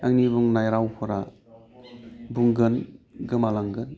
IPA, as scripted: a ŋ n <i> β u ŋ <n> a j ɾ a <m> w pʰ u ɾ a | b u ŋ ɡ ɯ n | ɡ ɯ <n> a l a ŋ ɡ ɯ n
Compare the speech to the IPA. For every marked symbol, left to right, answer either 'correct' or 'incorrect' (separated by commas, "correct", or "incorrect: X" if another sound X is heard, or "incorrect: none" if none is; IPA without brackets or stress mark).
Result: correct, correct, incorrect: none, incorrect: m